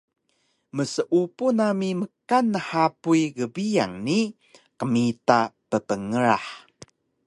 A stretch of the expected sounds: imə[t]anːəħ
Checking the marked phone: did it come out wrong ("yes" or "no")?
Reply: yes